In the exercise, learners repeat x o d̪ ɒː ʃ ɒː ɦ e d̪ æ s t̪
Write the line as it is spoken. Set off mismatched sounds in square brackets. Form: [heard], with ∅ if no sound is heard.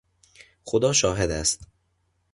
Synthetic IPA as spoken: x o d̪ ɒː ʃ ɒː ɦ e d̪ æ s t̪